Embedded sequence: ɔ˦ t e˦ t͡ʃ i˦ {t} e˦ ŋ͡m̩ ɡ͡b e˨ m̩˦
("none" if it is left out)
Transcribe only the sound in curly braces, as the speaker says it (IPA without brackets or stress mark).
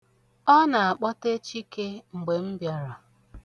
k